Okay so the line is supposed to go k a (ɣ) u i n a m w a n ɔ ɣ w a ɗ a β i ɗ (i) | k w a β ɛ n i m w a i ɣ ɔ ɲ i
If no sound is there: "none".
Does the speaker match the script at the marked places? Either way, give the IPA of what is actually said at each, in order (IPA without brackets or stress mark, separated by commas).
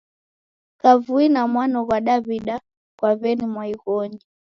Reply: v, a